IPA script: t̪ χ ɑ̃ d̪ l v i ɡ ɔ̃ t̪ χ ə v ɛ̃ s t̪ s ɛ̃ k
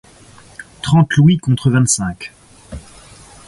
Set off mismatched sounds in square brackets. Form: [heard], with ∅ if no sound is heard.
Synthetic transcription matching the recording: t̪ χ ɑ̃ [t̪] l [w] i [k] ɔ̃ t̪ χ ə v ɛ̃ [∅] t̪ s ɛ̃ k